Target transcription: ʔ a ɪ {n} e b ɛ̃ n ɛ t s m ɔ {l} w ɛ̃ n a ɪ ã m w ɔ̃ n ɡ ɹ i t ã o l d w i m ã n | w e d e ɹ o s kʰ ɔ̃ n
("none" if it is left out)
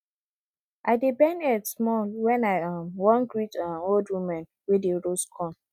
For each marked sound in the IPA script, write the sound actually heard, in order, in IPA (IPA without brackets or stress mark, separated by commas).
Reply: d, l